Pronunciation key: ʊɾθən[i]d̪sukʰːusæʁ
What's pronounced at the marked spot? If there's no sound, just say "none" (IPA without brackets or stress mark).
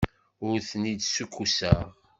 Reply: i